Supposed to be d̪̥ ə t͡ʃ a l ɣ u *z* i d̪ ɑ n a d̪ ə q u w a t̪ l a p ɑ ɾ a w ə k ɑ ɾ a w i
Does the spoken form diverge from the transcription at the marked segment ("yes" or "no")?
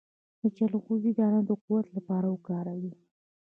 no